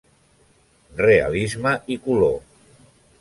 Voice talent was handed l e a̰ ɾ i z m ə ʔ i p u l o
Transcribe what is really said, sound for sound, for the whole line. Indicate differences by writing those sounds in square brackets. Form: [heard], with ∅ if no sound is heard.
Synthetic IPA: [r] e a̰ [l] i z m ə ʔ i [k] u l o